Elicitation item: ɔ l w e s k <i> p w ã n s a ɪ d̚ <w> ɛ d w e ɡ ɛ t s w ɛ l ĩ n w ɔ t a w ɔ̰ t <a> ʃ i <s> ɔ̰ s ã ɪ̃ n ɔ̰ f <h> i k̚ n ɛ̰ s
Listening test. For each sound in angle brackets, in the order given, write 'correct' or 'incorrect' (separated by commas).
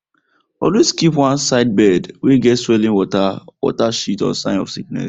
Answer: correct, incorrect, correct, incorrect, incorrect